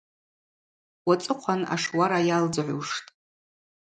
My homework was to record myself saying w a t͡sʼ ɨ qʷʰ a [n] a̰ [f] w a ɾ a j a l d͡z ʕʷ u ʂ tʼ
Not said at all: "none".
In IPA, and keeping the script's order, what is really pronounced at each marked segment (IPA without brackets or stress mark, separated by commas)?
n, ʂ